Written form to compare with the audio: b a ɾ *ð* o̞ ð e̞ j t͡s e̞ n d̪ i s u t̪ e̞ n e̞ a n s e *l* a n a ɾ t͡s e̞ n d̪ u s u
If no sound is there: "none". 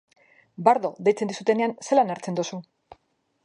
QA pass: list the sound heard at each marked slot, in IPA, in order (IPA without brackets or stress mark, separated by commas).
ð, l